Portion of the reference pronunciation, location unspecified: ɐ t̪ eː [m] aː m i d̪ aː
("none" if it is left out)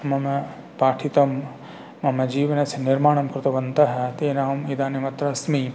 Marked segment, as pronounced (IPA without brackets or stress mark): n